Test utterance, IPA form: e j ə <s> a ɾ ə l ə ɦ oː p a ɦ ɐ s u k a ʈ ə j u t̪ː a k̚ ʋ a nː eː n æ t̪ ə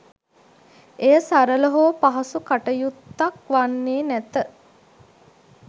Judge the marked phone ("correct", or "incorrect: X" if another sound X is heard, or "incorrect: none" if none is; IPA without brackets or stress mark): correct